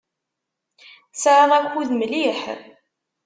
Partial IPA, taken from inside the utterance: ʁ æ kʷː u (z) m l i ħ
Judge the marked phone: incorrect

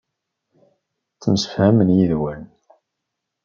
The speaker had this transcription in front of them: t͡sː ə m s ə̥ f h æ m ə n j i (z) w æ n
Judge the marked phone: incorrect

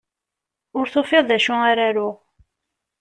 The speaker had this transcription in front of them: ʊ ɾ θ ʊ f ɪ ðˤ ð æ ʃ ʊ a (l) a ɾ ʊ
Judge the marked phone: incorrect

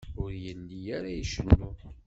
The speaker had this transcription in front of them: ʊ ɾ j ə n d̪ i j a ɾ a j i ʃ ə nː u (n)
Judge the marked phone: incorrect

